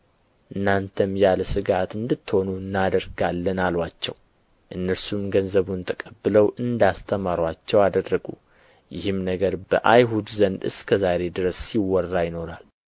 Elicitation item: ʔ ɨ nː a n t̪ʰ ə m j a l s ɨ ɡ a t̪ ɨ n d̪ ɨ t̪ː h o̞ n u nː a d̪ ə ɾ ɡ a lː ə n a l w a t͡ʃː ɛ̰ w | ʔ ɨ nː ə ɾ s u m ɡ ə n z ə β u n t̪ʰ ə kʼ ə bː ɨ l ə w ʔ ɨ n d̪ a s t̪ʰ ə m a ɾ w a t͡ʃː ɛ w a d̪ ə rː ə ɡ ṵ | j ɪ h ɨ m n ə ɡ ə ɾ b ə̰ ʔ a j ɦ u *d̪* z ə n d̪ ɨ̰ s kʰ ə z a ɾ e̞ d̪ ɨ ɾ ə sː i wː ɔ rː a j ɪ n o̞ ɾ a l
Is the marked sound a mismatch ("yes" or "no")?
no